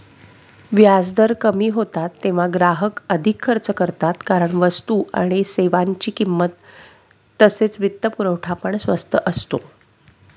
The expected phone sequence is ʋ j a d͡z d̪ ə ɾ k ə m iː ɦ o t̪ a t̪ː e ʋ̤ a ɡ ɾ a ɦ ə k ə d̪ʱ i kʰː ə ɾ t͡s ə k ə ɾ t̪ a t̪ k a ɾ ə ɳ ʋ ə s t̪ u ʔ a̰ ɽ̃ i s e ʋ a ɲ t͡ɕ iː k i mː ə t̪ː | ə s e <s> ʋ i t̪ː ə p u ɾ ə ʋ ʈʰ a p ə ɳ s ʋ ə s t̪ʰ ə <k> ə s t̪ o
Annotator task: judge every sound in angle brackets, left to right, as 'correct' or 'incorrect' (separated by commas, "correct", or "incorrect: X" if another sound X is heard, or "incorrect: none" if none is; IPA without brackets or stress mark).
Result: incorrect: t͡s, incorrect: ʔ